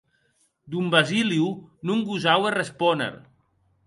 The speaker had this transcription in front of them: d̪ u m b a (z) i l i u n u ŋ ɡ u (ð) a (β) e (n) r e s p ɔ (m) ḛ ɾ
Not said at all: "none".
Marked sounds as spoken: z, z, w, none, n

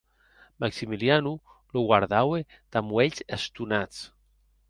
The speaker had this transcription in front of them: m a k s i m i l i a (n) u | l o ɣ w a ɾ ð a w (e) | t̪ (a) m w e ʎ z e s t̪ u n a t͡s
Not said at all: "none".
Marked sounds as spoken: n, e, a

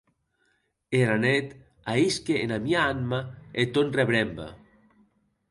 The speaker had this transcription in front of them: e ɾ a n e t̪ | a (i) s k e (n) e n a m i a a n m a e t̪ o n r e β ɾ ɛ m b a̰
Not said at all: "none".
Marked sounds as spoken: i, none

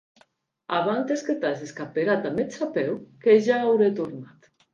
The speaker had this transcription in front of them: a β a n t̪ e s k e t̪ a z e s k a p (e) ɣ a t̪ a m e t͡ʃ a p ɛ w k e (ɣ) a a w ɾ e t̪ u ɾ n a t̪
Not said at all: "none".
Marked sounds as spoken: e, ʒ

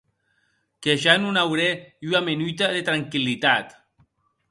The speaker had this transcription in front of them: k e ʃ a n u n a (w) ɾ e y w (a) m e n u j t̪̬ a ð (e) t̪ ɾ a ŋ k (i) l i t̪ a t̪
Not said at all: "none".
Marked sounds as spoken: w, a, e, i

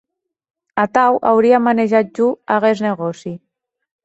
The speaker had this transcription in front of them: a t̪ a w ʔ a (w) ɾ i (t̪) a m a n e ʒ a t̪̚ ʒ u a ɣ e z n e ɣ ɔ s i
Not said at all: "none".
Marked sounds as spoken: w, none

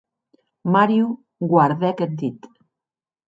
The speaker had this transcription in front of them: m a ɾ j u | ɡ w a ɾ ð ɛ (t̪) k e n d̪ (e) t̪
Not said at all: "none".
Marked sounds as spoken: none, i

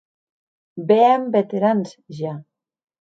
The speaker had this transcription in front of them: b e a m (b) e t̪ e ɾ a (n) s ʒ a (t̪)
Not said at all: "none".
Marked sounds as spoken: b, n, none

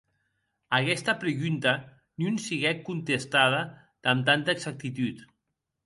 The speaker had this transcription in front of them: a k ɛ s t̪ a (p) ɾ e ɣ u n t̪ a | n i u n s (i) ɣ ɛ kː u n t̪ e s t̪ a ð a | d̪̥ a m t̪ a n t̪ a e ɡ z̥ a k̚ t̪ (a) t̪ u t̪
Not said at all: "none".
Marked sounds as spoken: p, i, i

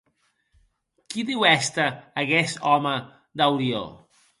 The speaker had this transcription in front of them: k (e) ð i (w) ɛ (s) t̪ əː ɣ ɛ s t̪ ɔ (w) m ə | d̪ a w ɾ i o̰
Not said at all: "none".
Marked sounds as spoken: i, w, s, none

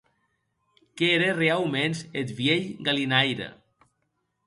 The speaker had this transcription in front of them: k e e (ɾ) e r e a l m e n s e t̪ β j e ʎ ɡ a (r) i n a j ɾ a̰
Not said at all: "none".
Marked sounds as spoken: ɾ, l

